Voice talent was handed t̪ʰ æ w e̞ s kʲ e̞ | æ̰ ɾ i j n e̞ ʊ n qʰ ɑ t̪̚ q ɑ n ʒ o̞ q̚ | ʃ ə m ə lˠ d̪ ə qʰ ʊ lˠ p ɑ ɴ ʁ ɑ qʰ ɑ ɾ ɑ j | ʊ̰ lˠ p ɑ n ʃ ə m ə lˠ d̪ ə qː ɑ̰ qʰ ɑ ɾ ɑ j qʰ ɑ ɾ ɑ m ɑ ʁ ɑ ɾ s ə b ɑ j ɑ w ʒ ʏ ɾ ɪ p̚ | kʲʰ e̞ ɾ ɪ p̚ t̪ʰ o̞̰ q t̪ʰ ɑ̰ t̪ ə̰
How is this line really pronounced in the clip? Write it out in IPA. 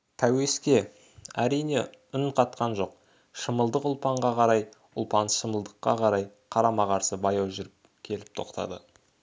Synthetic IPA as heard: t̪ʰ æ w e̞ s kʲ e̞ | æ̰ ɾ i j n e̞ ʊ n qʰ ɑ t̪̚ q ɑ n ʒ o̞ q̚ | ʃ ə m ə lˠ d̪ ə q ʊ lˠ p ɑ ɴ ʁ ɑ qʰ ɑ ɾ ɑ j | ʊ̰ lˠ p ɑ n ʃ ə m ə lˠ d̪ ə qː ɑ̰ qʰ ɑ ɾ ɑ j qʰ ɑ ɾ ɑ m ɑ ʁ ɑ ɾ s ə b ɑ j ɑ w ʒ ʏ ɾ ɪ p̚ | kʲʰ e̞ l ɪ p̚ t̪ʰ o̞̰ q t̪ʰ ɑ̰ d̪ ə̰